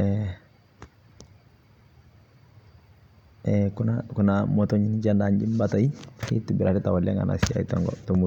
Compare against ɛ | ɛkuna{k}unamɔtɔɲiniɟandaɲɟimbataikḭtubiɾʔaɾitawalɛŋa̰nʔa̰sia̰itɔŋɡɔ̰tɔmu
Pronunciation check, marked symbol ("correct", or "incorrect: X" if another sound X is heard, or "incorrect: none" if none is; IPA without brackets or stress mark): correct